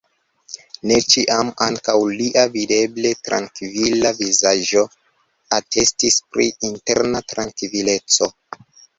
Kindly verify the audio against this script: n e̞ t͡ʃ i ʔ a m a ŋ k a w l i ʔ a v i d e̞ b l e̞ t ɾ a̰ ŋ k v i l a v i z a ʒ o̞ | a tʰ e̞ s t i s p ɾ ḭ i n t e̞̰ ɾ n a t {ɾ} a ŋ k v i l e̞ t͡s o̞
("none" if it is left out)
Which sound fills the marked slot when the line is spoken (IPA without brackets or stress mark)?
ɾ